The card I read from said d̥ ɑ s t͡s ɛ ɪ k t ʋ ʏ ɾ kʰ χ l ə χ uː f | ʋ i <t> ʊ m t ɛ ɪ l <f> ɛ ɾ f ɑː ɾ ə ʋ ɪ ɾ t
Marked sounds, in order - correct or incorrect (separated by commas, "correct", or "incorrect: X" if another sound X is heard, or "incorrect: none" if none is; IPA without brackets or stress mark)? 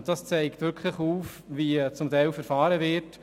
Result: incorrect: t͡s, correct